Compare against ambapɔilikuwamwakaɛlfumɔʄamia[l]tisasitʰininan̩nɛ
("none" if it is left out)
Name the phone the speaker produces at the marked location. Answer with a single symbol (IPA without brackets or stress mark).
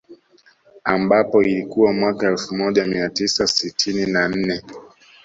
none